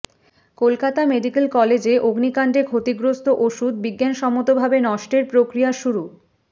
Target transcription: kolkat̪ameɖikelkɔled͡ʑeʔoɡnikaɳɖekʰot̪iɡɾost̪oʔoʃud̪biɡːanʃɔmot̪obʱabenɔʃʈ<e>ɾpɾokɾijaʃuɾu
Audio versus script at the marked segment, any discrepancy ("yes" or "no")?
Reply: no